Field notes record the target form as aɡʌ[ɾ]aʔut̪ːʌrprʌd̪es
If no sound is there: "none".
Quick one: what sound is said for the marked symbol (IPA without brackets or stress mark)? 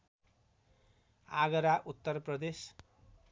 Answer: ɾ